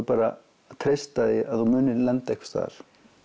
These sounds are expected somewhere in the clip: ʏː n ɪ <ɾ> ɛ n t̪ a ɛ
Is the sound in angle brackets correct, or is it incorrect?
incorrect